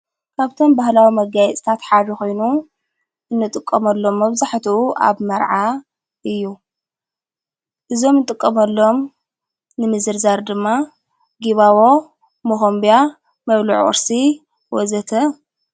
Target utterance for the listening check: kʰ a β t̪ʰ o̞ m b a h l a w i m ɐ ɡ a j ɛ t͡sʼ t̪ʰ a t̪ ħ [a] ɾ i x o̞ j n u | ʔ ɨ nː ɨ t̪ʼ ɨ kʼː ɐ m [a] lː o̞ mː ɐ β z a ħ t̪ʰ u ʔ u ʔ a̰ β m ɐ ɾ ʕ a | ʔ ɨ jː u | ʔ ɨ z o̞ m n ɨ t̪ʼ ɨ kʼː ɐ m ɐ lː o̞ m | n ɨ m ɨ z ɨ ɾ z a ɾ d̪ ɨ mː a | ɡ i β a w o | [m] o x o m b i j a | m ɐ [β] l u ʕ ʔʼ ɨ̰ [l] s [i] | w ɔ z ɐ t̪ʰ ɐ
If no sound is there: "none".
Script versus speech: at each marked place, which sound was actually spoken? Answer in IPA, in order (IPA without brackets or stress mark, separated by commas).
a, ɐ, m, β, ɾ, i